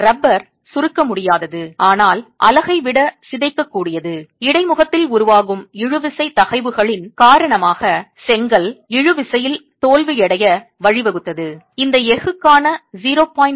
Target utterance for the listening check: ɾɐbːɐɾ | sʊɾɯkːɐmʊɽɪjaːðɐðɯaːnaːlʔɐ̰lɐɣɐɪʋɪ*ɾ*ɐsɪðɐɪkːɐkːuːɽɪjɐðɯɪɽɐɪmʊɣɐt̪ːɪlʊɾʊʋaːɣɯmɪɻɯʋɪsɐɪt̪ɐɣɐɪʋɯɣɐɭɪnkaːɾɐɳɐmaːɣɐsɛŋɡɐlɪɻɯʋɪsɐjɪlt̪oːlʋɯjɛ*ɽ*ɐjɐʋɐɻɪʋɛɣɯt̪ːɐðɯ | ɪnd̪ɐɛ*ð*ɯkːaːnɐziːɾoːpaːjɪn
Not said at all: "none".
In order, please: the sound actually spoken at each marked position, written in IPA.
ɽ, ɽ, ɣ

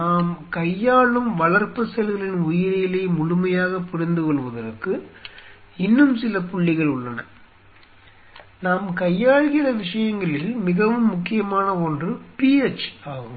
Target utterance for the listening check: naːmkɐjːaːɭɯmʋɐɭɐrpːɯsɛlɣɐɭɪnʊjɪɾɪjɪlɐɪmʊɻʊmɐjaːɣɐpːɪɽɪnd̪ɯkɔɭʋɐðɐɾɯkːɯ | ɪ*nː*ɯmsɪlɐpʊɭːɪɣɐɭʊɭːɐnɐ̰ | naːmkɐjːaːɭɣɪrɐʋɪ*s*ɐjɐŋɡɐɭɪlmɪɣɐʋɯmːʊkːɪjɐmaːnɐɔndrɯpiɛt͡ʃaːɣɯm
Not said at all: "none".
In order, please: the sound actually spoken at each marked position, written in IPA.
nː, ʂ

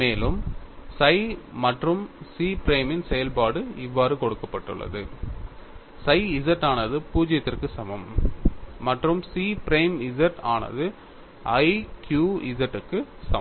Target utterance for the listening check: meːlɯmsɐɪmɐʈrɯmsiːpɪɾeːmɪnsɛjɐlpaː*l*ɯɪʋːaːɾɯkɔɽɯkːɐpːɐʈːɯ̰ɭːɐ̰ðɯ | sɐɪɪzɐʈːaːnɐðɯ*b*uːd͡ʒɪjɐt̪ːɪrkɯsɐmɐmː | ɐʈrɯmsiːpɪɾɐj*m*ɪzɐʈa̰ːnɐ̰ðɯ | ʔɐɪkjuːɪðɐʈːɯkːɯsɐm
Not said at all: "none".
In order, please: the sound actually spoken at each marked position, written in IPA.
ɽ, p, m

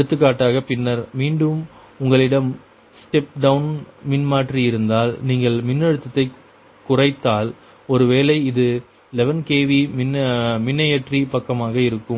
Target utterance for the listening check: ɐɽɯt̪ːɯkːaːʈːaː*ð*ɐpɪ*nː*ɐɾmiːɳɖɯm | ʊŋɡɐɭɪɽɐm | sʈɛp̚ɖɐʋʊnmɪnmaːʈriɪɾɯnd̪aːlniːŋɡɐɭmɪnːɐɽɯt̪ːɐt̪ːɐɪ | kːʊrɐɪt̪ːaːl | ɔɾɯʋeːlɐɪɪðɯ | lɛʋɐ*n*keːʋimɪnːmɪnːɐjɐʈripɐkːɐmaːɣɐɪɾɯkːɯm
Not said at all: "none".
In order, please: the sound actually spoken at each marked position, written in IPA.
ɣ, nː, n

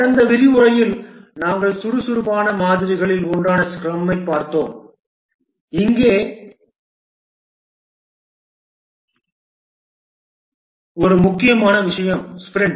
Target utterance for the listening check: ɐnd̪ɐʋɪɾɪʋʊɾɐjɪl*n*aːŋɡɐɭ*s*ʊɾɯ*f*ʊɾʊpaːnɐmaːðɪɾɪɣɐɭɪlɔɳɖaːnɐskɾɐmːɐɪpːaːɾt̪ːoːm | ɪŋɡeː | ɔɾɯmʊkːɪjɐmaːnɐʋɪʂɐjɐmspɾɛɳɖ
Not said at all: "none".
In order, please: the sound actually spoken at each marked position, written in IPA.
n, s, s

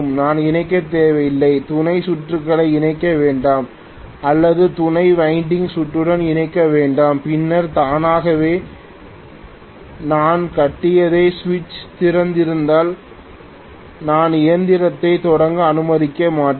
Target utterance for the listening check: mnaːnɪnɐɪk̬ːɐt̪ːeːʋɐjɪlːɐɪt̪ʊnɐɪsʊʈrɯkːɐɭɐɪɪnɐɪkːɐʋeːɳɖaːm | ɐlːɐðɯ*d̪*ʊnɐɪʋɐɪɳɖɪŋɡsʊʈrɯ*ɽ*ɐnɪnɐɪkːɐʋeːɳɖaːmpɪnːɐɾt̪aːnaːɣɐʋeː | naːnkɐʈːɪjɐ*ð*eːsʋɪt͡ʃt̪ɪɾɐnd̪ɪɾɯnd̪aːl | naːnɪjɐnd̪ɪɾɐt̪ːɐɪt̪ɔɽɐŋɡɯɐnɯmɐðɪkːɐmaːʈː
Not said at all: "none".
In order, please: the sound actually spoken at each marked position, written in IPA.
t̪, ɽ, ð

